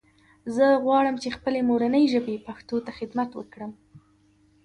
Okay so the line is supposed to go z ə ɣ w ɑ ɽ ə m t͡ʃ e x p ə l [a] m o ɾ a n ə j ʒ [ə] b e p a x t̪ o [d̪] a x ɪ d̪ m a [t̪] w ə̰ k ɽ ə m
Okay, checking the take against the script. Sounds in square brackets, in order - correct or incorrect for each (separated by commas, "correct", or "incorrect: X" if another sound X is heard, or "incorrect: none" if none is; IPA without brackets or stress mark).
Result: incorrect: e, correct, incorrect: t̪, correct